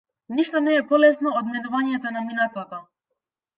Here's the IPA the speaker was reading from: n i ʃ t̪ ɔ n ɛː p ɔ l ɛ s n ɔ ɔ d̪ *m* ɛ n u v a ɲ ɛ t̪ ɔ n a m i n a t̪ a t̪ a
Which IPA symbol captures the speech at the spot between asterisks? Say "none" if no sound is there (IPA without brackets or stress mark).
m